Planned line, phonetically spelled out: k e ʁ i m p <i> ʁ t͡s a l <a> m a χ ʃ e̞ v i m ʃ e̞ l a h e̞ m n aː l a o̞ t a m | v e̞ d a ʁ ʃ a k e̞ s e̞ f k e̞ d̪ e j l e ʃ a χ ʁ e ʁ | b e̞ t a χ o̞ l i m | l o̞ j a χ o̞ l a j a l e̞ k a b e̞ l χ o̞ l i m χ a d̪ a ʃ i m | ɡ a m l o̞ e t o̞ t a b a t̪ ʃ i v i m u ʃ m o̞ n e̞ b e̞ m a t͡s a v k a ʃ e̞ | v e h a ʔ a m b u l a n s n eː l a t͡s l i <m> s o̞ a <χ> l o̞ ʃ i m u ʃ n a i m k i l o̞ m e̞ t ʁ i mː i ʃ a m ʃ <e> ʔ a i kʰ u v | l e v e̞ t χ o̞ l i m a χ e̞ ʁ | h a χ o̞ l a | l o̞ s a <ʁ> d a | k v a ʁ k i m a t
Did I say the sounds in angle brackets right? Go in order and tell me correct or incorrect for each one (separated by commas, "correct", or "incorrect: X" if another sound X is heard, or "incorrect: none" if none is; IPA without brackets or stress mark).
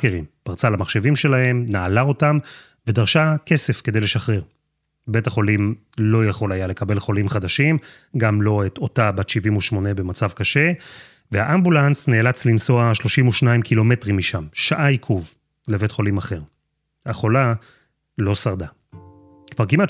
incorrect: a, correct, incorrect: n, incorrect: ʃ, incorrect: a, correct